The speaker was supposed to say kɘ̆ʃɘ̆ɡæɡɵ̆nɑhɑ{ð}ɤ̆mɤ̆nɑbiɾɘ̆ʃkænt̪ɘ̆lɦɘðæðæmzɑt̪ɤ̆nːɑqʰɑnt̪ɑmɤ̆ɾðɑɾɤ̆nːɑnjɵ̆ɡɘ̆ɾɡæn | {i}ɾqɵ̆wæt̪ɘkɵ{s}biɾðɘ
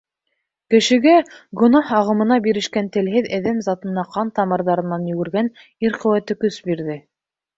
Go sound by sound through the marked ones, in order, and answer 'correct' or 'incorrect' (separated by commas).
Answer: incorrect, correct, correct